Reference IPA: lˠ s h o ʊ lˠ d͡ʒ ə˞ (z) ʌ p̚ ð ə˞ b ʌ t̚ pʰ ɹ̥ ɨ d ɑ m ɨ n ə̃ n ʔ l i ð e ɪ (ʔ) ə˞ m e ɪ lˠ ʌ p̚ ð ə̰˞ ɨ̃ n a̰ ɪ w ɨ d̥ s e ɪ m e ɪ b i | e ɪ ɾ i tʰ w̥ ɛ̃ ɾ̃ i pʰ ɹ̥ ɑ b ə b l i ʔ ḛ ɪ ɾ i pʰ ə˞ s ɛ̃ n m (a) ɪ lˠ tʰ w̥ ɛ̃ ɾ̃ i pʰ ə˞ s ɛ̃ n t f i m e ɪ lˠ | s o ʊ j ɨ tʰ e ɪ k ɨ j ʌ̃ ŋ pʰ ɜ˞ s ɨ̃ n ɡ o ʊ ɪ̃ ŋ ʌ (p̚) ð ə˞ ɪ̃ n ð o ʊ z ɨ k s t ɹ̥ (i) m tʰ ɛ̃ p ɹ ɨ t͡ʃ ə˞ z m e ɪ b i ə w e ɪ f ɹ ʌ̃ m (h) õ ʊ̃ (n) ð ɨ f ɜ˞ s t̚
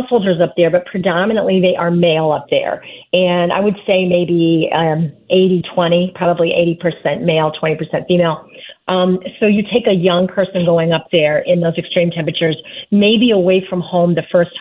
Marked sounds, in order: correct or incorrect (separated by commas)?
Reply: correct, correct, incorrect, correct, incorrect, correct, incorrect